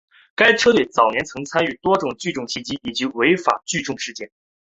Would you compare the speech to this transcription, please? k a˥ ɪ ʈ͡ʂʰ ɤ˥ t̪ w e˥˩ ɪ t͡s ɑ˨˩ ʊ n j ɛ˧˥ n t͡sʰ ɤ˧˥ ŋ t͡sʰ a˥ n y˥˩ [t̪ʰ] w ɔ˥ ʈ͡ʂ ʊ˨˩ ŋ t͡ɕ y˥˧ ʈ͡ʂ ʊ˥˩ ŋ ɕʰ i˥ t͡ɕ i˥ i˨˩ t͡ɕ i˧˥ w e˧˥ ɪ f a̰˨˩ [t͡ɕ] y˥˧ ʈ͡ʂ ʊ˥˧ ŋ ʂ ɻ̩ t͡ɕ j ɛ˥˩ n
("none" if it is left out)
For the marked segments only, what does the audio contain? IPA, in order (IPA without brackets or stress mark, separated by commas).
t̪, t͡ɕ